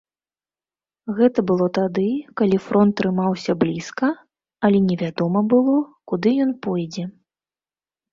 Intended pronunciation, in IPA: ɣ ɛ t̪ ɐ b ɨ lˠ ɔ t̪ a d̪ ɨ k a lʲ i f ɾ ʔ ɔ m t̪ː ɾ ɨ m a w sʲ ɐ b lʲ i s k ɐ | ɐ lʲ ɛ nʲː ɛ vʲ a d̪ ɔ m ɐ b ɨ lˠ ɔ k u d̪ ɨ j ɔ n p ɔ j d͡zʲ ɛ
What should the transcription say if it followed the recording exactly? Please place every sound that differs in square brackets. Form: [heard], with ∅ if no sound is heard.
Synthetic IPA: ɣ ɛ t̪ ɐ b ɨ lˠ ɔ t̪ a d̪ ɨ k a lʲ i f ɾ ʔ ɔ [n] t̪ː ɾ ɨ m a w sʲ ɐ b lʲ i s k ɐ | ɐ lʲ ɛ [nʲ] ɛ vʲ a d̪ ɔ m ɐ b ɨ lˠ ɔ k u d̪ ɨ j ɔ n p ɔ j d͡zʲ ɛ